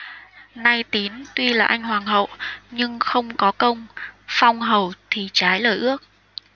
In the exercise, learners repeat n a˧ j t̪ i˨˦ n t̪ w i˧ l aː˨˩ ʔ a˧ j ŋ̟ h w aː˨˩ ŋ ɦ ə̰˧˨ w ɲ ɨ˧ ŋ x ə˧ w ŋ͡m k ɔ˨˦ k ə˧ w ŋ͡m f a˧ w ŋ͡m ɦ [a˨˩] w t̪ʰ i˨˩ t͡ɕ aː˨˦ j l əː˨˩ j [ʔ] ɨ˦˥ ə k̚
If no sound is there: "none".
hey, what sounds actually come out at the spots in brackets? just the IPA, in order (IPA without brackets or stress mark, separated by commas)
ə˨˩, ʔ